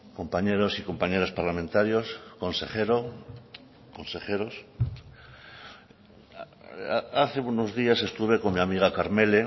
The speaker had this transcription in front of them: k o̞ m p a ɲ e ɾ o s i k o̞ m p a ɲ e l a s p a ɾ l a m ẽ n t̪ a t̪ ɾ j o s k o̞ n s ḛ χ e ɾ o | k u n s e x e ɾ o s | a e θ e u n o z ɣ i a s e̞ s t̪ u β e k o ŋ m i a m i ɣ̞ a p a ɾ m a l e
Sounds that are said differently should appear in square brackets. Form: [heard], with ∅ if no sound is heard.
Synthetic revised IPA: k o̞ m p a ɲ e ɾ o s i k o̞ m p a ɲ e [ɾ] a s p a ɾ l a m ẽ n t̪ a [∅] ɾ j o s k o̞ n s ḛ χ e ɾ o | k [o] n s e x e ɾ o s | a [a] θ e u n o z [ð] i a s e̞ s t̪ u β e k o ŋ m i a m i ɣ̞ a [k] a ɾ m [e] l e